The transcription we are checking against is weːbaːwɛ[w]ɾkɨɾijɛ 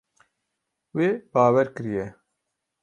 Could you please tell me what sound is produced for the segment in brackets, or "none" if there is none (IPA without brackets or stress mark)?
none